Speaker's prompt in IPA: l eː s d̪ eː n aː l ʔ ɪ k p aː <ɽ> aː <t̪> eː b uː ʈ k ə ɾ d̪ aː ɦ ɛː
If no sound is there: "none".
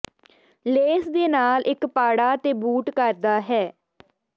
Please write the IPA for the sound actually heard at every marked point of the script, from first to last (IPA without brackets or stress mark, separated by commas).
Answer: ɽ, t̪